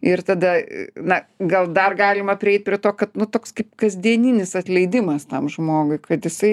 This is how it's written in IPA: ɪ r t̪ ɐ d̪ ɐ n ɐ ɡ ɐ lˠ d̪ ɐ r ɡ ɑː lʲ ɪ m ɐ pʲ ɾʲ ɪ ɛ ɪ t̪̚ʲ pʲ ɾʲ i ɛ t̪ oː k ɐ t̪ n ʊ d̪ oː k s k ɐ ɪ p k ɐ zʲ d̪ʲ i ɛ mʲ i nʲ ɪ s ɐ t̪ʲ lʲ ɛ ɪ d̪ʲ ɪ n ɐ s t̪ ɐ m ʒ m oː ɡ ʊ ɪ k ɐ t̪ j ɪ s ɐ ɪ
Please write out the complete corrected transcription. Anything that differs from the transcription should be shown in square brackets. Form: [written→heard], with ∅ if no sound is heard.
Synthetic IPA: ɪ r t̪ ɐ d̪ ɐ n ɐ ɡ ɐ lˠ d̪ ɐ r ɡ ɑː lʲ ɪ m ɐ pʲ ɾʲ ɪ ɛ ɪ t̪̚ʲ pʲ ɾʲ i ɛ t̪ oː k ɐ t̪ n ʊ [d̪→t̪] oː k s k ɐ ɪ p k ɐ zʲ d̪ʲ i ɛ [mʲ→nʲ] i nʲ ɪ s ɐ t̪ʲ lʲ ɛ ɪ d̪ʲ ɪ [n→m] ɐ s t̪ ɐ m ʒ m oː ɡ ʊ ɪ k ɐ t̪ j ɪ s ɐ ɪ